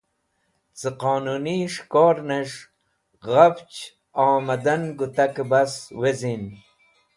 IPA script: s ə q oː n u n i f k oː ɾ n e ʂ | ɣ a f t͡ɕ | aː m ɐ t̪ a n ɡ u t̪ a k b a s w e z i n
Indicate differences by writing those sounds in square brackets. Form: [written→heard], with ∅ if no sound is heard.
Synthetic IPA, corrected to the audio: [s→t͡s] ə q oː n u n i [f→ʂ] k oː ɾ n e ʂ | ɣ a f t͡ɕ | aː m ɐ [t̪→d̪] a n ɡ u t̪ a k b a s w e z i n